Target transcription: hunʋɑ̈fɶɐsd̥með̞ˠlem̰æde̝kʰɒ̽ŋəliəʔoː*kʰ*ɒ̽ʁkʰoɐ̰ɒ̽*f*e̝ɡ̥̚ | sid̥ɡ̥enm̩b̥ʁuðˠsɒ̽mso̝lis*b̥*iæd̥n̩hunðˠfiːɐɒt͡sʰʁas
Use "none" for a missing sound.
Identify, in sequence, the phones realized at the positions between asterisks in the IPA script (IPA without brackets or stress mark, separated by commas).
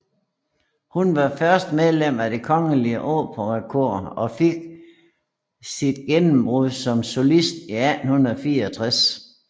pʰ, f, d̥